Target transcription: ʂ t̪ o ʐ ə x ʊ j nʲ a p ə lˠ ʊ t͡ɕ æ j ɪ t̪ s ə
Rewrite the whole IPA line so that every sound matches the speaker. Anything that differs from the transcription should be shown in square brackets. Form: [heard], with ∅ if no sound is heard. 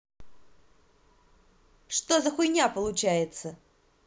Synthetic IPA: ʂ t̪ o [z] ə x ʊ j nʲ a p ə lˠ ʊ t͡ɕ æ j ɪ t̪ s ə